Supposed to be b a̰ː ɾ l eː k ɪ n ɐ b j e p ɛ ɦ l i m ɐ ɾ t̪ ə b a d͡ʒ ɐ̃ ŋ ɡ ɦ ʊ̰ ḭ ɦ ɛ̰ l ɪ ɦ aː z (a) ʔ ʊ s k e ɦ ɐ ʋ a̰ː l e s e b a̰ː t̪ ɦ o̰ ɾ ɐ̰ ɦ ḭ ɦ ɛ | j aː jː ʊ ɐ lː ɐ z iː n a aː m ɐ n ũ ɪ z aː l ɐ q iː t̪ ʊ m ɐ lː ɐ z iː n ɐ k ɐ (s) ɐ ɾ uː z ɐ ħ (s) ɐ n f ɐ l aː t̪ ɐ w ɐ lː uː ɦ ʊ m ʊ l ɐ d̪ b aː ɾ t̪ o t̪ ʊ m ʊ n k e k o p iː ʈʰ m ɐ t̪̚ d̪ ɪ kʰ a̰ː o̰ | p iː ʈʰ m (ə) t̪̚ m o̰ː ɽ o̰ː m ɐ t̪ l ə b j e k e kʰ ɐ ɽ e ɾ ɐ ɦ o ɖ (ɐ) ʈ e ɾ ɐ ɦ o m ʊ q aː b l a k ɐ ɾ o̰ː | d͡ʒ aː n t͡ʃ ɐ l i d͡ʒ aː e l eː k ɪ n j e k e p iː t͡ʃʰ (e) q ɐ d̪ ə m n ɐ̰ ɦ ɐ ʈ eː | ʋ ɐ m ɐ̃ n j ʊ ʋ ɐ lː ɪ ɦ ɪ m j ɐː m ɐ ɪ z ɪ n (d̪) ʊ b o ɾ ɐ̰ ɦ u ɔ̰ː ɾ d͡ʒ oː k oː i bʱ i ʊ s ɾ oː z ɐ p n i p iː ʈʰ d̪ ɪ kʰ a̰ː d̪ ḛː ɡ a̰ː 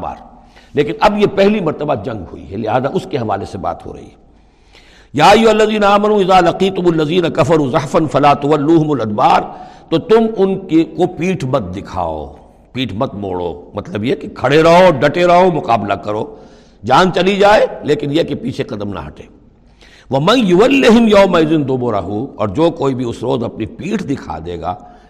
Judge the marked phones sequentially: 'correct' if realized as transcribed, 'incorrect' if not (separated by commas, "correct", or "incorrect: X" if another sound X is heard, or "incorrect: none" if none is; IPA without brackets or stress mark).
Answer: correct, incorrect: f, incorrect: f, incorrect: ɐ, correct, correct, correct